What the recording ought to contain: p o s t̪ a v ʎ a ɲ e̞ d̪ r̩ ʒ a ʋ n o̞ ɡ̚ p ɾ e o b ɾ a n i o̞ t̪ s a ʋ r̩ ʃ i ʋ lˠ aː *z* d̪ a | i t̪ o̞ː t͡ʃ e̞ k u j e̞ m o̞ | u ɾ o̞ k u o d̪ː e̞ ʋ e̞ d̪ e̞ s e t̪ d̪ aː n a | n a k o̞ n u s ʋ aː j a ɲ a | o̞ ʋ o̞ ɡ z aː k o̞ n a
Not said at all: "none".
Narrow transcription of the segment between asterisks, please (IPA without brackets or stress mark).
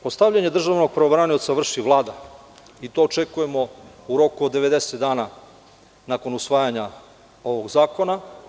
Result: none